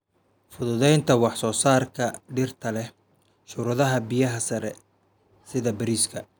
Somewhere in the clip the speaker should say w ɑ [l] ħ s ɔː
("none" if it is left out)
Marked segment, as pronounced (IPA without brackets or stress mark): none